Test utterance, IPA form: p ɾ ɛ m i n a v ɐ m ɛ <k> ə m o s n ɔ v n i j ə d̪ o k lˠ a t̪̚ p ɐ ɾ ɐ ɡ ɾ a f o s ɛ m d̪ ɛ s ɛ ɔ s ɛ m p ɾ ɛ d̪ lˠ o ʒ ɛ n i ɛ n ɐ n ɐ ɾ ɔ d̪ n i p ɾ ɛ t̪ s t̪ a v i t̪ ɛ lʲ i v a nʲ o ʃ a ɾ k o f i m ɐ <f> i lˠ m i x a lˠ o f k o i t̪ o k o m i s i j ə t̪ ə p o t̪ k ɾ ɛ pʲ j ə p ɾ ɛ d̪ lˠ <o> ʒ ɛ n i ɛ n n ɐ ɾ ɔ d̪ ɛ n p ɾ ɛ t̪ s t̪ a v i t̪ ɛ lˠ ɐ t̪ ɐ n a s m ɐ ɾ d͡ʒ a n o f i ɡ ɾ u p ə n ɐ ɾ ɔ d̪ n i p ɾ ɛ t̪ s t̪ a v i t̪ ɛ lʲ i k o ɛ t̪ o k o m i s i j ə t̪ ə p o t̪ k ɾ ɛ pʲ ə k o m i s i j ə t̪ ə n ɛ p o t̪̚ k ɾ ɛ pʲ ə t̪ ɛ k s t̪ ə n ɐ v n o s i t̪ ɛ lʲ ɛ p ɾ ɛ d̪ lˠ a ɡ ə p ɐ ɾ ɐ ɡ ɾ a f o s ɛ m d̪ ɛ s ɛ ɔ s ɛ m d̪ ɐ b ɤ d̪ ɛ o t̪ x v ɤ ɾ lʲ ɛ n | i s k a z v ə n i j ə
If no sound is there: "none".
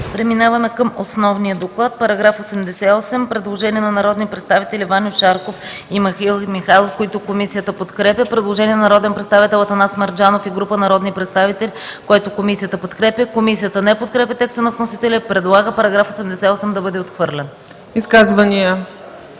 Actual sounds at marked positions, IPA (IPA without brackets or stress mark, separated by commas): k, x, o